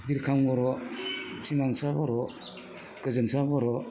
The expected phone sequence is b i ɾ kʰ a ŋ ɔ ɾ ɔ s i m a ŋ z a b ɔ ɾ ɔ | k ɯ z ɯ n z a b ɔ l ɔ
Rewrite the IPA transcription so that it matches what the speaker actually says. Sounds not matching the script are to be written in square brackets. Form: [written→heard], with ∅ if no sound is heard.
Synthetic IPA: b i ɾ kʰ a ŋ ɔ ɾ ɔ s i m a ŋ [z→s] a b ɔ ɾ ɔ | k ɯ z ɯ n [z→s] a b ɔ [l→ɾ] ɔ